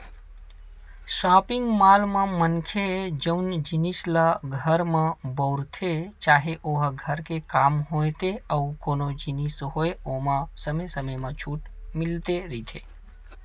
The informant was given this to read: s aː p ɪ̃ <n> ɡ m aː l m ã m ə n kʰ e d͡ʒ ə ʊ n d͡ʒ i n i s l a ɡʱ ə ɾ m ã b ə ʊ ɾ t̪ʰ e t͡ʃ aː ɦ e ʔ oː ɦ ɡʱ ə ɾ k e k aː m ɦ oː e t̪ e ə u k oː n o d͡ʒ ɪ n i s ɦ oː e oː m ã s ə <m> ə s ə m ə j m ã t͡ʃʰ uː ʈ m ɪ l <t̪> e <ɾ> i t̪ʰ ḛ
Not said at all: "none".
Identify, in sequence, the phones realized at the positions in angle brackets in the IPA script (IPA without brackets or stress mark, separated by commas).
ŋ, m, t̪, ɾ